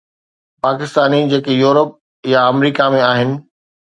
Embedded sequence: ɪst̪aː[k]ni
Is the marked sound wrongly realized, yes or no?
yes